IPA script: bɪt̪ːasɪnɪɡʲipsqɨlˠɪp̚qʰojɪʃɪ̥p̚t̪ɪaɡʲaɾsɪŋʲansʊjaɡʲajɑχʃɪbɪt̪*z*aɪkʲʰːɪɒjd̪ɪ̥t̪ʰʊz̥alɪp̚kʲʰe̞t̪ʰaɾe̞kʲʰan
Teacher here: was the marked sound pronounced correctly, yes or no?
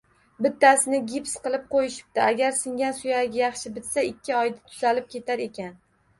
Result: no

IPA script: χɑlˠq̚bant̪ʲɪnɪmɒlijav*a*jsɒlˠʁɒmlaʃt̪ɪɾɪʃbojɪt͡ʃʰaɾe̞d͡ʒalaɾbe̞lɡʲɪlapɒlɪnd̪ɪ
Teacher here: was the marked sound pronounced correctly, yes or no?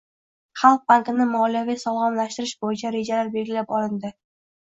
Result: no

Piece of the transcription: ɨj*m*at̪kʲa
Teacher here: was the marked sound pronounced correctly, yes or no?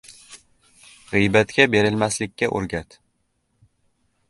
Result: no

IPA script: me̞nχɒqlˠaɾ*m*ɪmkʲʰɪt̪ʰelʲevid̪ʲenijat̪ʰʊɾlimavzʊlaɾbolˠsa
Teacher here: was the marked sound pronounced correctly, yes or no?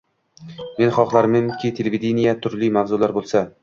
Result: yes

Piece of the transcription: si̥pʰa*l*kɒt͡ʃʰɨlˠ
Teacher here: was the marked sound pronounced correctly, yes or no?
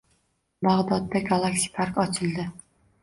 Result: no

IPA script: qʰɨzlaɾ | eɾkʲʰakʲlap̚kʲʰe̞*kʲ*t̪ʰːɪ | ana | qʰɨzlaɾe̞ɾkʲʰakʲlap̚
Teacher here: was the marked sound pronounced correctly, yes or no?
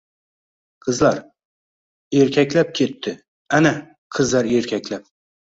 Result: no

